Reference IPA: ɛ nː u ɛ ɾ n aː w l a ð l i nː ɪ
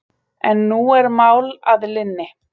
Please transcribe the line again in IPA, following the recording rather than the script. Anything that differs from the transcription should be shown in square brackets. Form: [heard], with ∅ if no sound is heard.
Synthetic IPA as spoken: ɛ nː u ɛ ɾ [m] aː w l a ð l [ɪ] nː ɪ